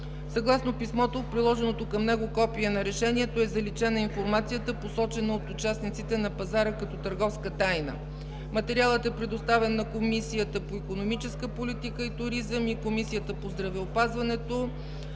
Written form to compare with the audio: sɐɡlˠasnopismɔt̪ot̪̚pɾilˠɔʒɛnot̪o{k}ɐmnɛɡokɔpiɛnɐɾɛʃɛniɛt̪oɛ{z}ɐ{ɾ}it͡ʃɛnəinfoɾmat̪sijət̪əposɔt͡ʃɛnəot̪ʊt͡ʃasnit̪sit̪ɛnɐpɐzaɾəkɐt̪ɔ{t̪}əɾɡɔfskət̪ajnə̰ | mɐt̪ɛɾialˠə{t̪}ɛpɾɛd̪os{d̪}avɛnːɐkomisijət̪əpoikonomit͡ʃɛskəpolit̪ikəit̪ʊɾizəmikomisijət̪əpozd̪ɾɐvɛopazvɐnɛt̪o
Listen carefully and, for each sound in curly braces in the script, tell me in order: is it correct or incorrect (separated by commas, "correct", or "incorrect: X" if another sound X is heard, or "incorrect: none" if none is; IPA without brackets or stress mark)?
correct, correct, incorrect: l, correct, correct, incorrect: t̪